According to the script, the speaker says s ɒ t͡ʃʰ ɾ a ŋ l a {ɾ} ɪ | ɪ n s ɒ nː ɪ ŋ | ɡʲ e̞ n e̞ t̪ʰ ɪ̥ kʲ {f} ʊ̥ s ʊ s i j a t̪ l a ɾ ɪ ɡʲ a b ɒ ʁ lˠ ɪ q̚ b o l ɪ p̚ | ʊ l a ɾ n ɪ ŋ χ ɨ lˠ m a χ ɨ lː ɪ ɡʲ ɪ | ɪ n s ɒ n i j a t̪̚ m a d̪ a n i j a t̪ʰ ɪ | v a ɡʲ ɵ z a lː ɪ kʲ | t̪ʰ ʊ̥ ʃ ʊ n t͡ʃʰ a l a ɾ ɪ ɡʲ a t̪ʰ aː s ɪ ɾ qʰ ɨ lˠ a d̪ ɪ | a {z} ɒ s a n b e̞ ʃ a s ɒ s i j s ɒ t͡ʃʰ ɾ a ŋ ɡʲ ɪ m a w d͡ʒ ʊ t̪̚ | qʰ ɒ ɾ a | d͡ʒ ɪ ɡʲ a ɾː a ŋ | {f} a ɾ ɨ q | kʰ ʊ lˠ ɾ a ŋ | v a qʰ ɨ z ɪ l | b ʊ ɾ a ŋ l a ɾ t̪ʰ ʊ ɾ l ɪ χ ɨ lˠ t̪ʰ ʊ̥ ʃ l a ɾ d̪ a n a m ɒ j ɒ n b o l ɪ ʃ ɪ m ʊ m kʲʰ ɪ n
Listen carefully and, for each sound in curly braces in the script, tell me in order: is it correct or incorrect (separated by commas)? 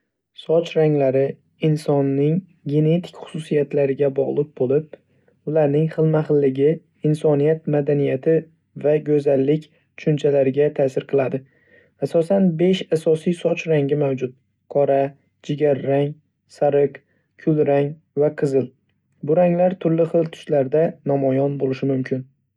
correct, incorrect, incorrect, incorrect